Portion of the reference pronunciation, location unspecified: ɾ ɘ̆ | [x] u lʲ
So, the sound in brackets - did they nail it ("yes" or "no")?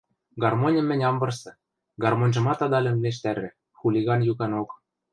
yes